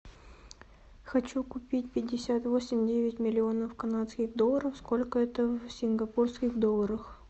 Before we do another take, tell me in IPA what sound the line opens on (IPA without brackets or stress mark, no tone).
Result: x